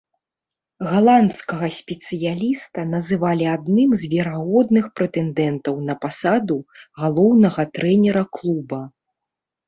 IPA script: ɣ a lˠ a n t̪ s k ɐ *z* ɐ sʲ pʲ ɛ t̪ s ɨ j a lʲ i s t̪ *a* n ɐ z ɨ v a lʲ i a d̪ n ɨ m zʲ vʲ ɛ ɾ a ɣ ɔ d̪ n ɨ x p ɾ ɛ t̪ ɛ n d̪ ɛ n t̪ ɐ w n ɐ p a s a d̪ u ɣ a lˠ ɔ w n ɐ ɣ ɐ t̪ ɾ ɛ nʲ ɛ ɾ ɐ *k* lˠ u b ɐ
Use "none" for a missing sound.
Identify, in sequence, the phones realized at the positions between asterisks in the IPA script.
ɣ, ɐ, k

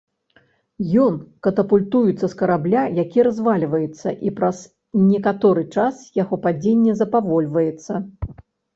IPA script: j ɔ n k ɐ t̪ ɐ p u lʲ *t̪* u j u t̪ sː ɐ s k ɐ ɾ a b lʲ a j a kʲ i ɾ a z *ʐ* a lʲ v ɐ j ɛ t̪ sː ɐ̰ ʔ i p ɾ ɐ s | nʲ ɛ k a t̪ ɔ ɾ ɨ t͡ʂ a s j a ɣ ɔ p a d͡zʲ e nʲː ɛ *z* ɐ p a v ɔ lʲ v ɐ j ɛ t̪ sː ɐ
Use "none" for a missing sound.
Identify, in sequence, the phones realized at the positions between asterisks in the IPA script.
t̪, v, z

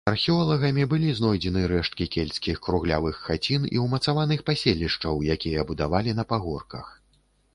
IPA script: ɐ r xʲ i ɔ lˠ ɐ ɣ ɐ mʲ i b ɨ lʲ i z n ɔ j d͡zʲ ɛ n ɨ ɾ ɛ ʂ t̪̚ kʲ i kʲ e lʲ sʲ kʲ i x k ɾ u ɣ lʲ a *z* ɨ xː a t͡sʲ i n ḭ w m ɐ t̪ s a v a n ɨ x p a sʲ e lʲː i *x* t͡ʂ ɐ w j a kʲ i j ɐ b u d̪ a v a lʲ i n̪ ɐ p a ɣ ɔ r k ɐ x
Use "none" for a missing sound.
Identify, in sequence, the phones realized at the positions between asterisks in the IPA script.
v, ʂ

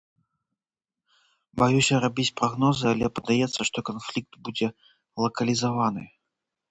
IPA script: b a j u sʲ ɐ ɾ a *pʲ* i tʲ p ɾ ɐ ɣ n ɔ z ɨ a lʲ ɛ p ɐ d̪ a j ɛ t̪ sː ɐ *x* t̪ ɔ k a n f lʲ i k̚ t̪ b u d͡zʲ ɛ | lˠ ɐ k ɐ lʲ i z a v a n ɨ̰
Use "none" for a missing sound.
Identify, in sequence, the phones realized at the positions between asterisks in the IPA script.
bʲ, ʂ

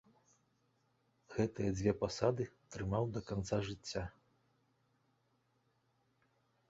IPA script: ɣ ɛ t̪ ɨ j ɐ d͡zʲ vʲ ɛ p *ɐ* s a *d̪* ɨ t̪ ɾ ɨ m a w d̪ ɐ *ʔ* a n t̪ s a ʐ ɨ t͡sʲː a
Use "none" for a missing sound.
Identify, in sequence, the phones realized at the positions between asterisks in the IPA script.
a, d̪, k

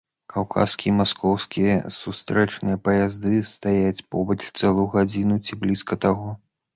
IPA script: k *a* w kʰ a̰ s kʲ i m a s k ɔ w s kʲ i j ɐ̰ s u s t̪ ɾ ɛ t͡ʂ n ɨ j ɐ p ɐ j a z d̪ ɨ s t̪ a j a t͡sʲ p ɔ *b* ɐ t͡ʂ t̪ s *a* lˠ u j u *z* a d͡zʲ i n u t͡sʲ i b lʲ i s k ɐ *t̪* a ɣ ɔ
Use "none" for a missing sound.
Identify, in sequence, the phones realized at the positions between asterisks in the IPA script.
a, b, ɛ, ɣ, t̪

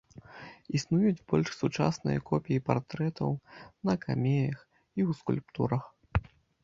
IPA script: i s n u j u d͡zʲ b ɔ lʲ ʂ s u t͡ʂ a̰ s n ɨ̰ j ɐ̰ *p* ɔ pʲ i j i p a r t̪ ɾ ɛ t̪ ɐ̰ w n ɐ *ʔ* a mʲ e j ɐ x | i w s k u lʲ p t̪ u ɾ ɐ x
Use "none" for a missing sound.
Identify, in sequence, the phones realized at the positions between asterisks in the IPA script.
k, k

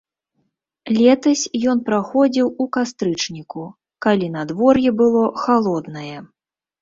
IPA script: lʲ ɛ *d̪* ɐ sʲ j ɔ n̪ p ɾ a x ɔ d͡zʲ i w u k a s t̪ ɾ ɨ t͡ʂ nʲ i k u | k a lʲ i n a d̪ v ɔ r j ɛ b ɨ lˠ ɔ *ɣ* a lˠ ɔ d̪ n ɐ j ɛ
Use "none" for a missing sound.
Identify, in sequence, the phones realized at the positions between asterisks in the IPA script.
t̪, x

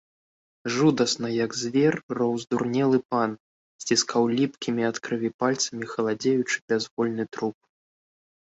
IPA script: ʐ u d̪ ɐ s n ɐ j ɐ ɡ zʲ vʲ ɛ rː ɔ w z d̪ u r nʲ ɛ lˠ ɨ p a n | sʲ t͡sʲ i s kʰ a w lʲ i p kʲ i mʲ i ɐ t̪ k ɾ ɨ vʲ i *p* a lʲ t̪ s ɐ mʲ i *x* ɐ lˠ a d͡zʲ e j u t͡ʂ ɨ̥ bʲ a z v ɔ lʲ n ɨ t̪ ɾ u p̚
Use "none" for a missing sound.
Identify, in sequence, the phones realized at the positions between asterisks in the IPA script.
p, x

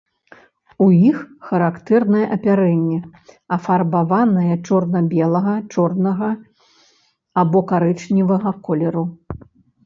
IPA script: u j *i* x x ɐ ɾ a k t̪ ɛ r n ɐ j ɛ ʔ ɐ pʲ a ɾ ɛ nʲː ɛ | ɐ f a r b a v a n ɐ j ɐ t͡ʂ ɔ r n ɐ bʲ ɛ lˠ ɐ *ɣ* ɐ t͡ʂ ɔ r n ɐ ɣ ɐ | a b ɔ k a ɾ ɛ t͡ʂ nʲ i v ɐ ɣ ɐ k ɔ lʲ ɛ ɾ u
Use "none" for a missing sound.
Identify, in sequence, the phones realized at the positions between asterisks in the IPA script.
i, ɣ

